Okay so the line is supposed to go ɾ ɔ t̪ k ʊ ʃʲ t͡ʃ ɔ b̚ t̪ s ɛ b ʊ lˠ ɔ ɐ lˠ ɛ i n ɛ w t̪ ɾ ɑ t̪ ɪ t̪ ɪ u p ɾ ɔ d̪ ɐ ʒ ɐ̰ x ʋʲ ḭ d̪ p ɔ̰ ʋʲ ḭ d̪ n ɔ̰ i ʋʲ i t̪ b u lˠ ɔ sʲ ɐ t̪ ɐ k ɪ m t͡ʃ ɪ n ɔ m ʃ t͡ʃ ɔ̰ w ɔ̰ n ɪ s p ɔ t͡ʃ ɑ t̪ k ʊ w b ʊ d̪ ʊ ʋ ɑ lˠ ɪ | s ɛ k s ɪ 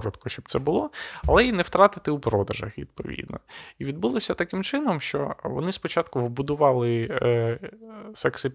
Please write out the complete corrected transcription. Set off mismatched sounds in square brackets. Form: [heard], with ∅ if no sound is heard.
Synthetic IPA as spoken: ɾ ɔ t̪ k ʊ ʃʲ t͡ʃ ɔ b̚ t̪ s ɛ b ʊ lˠ ɔ ɐ lˠ ɛ i n ɛ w t̪ ɾ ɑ t̪ ɪ t̪ ɪ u p ɾ ɔ d̪ ɐ ʒ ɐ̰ x ʋʲ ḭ d̪ p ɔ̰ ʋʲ ḭ d̪ n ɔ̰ i ʋʲ i [d̪] b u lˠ ɔ sʲ ɐ t̪ ɐ k ɪ m t͡ʃ ɪ n ɔ m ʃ t͡ʃ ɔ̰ [ʋ] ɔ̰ n ɪ s p ɔ t͡ʃ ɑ t̪ k ʊ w b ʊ d̪ ʊ ʋ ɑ lˠ ɪ | s ɛ k s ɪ